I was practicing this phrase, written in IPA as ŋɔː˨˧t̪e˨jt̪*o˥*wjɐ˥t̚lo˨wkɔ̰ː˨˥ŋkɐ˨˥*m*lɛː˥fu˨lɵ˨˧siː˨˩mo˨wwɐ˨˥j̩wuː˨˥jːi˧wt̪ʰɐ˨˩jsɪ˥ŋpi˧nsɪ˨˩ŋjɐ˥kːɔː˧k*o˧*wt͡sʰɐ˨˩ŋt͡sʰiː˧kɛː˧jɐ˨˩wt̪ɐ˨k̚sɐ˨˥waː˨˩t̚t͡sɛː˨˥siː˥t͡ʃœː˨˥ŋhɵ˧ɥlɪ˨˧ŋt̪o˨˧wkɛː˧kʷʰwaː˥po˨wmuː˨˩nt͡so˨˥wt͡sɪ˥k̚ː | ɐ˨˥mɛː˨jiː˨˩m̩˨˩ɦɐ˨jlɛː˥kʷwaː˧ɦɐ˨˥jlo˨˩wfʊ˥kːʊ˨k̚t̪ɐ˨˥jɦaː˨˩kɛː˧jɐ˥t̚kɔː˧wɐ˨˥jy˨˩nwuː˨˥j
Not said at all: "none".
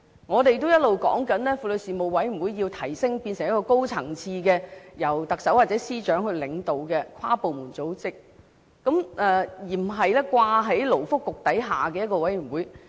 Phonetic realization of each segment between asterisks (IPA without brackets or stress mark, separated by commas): o˥, n, o˥